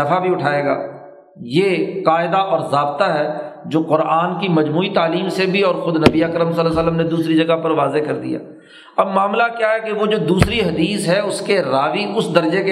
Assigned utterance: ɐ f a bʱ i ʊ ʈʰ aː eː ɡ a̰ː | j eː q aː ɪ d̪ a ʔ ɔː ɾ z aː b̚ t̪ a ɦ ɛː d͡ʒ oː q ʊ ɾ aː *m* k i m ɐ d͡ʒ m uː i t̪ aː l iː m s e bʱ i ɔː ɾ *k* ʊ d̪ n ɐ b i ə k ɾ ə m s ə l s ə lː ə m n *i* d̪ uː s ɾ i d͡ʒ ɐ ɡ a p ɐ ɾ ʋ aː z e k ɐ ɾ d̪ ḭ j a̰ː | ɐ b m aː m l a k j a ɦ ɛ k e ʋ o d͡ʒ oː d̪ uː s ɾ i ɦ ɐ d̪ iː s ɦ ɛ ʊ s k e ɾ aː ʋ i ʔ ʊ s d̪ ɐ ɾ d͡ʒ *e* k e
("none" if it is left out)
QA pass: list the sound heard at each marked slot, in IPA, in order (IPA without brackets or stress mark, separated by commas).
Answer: n, x, e, e